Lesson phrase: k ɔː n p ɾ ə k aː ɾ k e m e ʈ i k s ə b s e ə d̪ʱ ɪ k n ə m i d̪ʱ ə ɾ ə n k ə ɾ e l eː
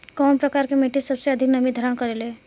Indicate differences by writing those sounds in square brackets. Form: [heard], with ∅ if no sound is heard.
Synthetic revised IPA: k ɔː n p ɾ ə k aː ɾ k e m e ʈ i [∅] s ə b s e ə d̪ʱ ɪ k n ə m i d̪ʱ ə ɾ ə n k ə ɾ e l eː